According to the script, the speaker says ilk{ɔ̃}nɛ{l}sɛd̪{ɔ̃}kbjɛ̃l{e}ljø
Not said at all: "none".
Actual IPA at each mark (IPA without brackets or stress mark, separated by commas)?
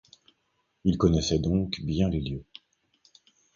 ɔ, none, ɔ̃, e